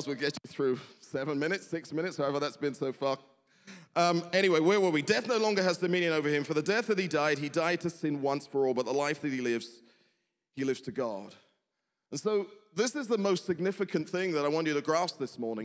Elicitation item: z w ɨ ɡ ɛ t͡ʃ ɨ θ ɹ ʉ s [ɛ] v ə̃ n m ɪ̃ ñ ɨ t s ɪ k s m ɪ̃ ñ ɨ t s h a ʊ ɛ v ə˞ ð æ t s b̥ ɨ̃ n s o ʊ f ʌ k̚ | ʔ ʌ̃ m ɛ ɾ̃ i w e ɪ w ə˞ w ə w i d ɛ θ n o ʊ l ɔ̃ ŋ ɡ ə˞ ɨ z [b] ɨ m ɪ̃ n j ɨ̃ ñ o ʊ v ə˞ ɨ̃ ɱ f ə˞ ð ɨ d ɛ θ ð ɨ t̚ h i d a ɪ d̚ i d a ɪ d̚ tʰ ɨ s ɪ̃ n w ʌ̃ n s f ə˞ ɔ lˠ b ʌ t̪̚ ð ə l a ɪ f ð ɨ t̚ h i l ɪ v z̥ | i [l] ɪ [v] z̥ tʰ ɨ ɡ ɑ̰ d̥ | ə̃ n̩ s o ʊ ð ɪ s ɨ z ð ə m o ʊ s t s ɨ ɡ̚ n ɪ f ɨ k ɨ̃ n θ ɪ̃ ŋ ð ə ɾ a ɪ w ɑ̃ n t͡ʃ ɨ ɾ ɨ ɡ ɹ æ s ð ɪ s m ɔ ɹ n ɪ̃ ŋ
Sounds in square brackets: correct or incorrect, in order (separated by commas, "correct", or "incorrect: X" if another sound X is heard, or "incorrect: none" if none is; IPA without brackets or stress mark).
correct, incorrect: d, correct, correct